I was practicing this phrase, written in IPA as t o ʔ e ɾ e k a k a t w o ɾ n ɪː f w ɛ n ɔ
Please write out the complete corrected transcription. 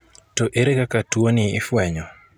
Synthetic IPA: t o ʔ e ɾ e k a k a t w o n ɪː f w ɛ ɲ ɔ